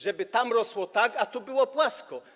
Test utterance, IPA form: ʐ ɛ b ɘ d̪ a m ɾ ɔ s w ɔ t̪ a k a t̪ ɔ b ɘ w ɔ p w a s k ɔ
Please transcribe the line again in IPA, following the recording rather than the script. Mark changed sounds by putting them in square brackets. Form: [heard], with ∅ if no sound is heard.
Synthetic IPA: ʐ ɛ b ɘ [t̪] a m ɾ ɔ s w ɔ t̪ a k a t̪ [u] b ɘ w ɔ p w a s k ɔ